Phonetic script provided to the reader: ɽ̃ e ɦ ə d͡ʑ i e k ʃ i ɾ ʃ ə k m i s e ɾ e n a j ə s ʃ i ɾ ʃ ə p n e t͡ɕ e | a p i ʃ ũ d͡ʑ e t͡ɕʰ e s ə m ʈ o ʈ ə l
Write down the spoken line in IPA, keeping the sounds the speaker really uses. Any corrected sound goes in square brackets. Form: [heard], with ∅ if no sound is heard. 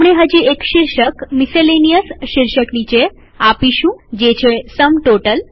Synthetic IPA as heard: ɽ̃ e ɦ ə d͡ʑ i e k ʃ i ɾ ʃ ə k m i s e [l] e n [i] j ə s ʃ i ɾ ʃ ə [k] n [i] t͡ɕ e | a p i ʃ ũ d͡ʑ e t͡ɕʰ e s ə m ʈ o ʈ ə l